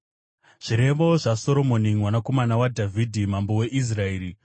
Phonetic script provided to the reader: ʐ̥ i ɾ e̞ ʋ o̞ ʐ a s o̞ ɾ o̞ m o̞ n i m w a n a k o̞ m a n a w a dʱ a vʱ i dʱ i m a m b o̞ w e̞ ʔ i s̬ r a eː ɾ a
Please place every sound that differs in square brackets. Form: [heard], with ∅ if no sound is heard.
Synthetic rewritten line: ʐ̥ i ɾ e̞ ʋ o̞ ʐ a s o̞ ɾ o̞ m o̞ n i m w a n a k o̞ m a n a w a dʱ a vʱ i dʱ i m a m b o̞ w e̞ ʔ i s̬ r a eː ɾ [i]